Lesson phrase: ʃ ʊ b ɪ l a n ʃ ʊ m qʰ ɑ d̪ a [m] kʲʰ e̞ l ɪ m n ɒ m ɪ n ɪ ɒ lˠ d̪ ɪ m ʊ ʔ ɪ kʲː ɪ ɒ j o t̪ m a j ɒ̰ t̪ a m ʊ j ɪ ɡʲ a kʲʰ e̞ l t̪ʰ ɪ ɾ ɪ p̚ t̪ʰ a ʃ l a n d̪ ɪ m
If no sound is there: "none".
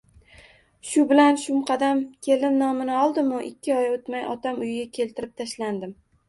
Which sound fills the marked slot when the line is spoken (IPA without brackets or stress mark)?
m